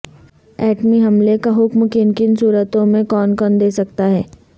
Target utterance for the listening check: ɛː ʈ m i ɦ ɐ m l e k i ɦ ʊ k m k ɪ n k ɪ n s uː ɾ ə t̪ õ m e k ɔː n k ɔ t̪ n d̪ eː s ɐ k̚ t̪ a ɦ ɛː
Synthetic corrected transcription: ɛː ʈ m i ɦ ɐ m l e k a ɦ ʊ k m k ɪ n k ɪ n s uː ɾ ə t̪ õ m ẽ k ɔː n k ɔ n d̪ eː s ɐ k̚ t̪ a ɦ ɛː